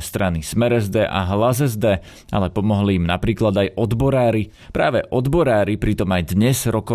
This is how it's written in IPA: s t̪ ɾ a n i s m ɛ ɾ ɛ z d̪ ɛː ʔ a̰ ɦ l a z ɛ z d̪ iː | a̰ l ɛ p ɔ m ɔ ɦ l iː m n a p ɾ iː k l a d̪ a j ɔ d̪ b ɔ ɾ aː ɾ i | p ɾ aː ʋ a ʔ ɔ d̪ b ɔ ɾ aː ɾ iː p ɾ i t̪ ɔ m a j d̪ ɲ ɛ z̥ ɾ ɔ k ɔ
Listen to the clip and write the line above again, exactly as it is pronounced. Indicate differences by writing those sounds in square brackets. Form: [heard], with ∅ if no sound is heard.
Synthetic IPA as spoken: s t̪ ɾ a n i s m ɛ ɾ ɛ z d̪ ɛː ʔ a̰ ɦ l a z ɛ z d̪ [ɛː] | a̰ l ɛ p ɔ m ɔ ɦ l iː m n a p ɾ iː k l a d̪ a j ɔ d̪ b ɔ ɾ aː ɾ i | p ɾ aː ʋ [ɛ] ʔ ɔ d̪ b ɔ ɾ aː ɾ [i] p ɾ i t̪ ɔ m a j d̪ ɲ ɛ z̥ ɾ ɔ k ɔ